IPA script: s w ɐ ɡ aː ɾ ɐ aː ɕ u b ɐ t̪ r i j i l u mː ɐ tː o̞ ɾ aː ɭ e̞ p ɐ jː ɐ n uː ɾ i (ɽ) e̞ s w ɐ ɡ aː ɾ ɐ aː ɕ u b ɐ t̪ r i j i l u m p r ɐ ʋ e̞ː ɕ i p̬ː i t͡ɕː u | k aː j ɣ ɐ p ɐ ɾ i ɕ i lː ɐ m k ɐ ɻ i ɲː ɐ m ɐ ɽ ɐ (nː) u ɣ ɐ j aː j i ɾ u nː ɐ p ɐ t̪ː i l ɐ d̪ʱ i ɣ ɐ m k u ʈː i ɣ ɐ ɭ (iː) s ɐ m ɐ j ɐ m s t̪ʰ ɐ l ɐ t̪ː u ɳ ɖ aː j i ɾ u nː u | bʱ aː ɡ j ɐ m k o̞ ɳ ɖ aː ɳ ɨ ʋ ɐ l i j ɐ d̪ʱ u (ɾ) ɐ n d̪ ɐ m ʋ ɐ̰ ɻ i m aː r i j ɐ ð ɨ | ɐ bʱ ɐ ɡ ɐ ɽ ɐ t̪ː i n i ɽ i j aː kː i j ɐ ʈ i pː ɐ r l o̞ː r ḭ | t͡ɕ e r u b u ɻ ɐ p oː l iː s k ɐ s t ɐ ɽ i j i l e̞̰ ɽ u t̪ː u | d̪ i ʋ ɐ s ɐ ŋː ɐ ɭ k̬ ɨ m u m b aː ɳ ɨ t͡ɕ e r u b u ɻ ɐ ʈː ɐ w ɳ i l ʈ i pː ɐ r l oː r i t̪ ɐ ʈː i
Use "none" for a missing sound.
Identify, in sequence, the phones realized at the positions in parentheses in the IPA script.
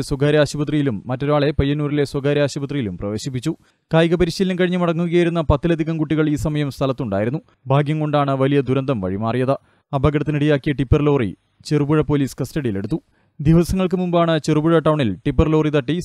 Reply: l, ŋː, iː, ɾ

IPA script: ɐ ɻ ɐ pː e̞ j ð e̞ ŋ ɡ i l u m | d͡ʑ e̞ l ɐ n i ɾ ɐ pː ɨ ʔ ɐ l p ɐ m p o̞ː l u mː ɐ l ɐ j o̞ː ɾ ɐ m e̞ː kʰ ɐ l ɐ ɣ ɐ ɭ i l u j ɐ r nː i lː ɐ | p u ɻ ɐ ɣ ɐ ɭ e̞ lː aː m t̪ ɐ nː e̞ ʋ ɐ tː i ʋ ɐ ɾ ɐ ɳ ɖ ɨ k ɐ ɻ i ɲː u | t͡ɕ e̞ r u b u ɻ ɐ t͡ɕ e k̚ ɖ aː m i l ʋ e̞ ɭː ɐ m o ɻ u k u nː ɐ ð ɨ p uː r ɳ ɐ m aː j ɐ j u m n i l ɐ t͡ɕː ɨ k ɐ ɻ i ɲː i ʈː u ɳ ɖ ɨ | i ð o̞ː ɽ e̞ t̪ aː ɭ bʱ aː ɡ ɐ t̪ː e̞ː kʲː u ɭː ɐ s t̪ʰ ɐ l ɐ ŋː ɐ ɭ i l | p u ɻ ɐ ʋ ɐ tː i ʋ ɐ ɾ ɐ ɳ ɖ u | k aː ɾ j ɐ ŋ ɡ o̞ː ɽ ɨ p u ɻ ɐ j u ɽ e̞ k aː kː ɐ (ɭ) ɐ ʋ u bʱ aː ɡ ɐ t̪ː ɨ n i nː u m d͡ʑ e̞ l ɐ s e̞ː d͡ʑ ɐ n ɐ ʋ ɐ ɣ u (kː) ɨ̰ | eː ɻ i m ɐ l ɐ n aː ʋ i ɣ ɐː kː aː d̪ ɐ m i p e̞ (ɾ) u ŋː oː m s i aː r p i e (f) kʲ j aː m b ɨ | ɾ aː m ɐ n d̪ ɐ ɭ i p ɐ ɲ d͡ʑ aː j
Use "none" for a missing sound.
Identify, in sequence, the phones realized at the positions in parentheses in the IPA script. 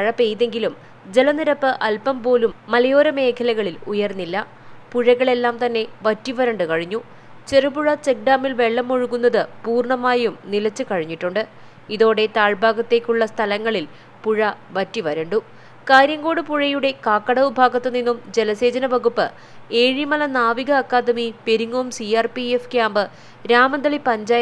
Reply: ɽ, pː, ɾ, f

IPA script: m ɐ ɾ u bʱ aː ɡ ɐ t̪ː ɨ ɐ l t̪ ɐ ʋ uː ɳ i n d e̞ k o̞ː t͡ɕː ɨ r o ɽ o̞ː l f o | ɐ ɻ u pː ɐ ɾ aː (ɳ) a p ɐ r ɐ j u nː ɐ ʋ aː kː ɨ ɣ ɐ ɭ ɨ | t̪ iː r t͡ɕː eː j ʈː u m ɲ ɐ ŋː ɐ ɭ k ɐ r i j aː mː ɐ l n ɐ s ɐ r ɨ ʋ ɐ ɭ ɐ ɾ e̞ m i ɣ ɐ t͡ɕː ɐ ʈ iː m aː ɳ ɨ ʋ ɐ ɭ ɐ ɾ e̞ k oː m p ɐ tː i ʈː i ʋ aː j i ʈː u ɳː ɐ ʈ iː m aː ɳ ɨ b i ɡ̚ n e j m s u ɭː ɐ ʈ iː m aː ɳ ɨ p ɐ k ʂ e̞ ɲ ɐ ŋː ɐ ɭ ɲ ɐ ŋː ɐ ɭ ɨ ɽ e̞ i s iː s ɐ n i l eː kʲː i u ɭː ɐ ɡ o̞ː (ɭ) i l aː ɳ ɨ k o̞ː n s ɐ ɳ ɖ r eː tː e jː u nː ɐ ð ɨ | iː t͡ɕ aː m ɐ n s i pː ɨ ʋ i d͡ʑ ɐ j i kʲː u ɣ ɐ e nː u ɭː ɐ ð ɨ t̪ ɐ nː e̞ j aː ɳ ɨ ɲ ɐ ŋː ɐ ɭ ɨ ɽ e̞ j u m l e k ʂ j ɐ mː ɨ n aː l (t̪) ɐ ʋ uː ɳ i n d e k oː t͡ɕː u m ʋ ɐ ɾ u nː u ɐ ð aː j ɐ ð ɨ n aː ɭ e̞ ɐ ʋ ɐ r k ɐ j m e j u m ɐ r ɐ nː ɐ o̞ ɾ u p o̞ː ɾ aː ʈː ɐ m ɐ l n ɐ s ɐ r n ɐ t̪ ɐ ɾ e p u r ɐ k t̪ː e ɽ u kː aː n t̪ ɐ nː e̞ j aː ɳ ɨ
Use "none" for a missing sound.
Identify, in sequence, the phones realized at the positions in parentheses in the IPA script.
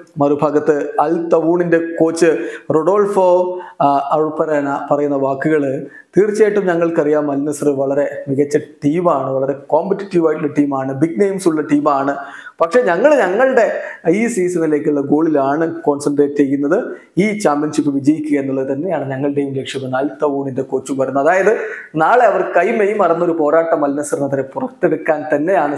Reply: n, ɭ, t̪

